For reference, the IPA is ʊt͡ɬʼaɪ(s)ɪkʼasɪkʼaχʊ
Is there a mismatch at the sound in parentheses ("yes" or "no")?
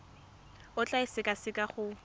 no